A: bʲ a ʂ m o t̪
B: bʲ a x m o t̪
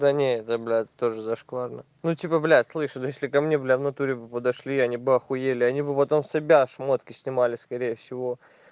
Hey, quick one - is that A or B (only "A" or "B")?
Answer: A